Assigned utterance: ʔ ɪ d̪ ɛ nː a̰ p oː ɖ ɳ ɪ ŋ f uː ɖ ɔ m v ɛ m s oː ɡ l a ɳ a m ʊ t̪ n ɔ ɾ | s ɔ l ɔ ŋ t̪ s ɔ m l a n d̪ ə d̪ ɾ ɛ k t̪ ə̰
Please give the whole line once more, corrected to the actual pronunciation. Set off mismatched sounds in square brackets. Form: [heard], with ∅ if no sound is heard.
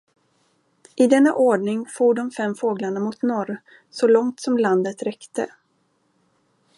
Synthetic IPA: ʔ ɪ d̪ ɛ nː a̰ [ʔ] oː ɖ ɳ ɪ ŋ f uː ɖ ɔ m [f] ɛ m [f] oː ɡ l a ɳ a m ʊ t̪ n ɔ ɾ | s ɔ l ɔ ŋ t̪ s ɔ m l a n d̪ ə [t̪] ɾ ɛ k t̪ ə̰